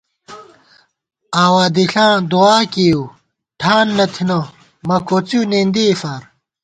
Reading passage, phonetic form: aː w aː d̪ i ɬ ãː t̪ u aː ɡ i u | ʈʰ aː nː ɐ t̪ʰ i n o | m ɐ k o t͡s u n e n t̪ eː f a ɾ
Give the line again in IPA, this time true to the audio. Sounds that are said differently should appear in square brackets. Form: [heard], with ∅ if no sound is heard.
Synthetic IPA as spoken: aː w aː d̪ i ɬ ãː [d̪] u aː [k] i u | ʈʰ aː nː ɐ t̪ʰ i n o | m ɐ k o t͡s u n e n [d̪] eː f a ɾ